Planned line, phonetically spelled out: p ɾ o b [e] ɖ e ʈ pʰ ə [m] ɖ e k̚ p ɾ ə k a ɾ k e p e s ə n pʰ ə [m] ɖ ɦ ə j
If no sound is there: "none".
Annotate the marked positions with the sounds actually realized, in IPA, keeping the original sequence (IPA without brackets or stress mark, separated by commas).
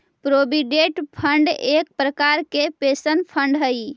i, ɳ, ɳ